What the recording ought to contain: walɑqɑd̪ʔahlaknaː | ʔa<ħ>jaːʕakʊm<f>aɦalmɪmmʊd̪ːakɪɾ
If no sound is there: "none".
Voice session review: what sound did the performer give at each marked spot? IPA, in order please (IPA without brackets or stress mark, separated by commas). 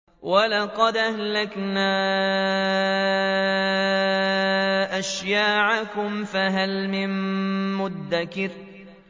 ʃ, f